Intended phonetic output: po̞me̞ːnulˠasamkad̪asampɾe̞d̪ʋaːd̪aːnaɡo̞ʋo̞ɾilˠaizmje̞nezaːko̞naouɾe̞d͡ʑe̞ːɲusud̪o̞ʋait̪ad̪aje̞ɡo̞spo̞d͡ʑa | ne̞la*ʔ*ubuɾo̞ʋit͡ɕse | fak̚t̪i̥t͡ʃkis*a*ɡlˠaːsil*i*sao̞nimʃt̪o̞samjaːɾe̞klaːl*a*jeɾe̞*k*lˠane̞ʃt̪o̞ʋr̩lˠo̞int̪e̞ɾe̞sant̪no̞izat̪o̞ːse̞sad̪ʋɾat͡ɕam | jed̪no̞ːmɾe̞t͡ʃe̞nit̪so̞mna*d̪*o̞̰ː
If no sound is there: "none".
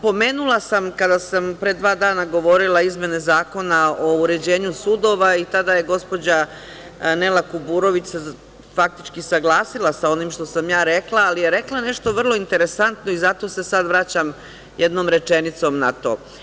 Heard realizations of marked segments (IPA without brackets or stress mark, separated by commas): k, a, a, i, k, t̪